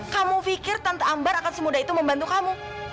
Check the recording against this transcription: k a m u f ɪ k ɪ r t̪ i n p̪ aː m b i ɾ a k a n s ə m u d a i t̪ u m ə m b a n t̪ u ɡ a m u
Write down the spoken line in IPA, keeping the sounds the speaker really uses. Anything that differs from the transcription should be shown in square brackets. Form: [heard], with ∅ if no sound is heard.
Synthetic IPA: k a m u f [i] k ɪ r t̪ [a] n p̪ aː m b [a] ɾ a k a n s ə m u d a i t̪ u m ə m b a n t̪ u [k] a m u